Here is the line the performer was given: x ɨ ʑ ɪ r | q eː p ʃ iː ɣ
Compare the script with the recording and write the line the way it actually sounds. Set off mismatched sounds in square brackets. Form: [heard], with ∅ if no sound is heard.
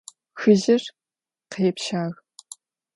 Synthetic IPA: x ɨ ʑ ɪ r | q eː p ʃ [aː] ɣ